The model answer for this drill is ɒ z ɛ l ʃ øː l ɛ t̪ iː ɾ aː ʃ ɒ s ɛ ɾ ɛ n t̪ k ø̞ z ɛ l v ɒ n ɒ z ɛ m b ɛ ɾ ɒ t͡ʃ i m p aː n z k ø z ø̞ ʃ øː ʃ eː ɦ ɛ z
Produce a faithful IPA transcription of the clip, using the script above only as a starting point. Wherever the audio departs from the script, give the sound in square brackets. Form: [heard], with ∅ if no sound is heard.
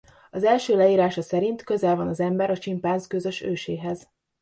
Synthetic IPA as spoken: ɒ z ɛ l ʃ øː l ɛ [∅] iː ɾ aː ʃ ɒ s ɛ ɾ [i] n t̪ k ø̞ z ɛ l v ɒ n ɒ z ɛ m b ɛ ɾ ɒ t͡ʃ i m p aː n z k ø z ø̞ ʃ øː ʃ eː ɦ ɛ z